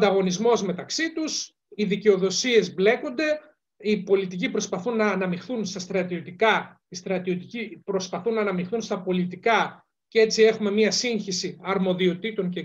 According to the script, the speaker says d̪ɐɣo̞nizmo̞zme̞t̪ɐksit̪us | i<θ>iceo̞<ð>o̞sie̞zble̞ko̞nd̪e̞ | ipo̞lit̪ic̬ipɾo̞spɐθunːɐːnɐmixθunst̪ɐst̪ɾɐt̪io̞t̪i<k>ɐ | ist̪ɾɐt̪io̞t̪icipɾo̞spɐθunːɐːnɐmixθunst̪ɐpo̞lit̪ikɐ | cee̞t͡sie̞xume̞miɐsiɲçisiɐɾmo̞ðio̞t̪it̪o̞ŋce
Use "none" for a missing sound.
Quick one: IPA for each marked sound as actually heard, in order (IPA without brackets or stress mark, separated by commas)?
ð, ð, k